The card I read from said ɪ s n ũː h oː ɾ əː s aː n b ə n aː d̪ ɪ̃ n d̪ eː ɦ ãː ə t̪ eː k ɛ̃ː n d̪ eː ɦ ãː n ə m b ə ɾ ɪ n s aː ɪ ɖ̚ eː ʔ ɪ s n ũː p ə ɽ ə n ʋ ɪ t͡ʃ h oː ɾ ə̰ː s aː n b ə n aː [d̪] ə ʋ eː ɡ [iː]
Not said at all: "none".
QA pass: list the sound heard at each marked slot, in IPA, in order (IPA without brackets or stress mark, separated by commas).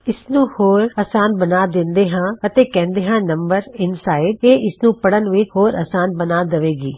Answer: d̪, iː